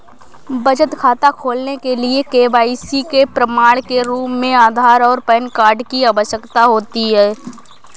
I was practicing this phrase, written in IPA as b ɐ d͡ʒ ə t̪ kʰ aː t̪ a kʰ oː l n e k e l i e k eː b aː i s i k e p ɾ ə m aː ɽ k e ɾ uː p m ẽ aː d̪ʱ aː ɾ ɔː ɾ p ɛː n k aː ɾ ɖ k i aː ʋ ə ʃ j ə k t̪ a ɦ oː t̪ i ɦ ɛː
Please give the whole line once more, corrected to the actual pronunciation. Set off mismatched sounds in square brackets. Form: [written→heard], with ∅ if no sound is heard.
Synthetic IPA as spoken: b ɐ d͡ʒ ə t̪ kʰ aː t̪ a kʰ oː l n e k e l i e k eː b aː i s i k e p ɾ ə m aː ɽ k e ɾ uː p m ẽ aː d̪ʱ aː ɾ ɔː ɾ p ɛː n k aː ɾ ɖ k i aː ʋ ə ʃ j ə k t̪ a ɦ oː t̪ i ɦ ɛː